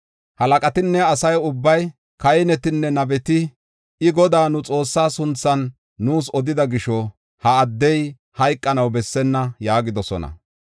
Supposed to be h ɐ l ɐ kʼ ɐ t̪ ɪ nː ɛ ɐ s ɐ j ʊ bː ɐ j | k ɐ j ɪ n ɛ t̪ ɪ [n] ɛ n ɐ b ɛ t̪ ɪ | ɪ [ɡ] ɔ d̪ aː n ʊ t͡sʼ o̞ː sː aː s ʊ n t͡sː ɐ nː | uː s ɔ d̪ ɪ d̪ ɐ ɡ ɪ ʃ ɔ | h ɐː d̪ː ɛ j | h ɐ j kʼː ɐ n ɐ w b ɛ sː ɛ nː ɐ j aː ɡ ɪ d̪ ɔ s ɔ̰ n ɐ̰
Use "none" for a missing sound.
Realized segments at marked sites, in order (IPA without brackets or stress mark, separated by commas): nː, ɡ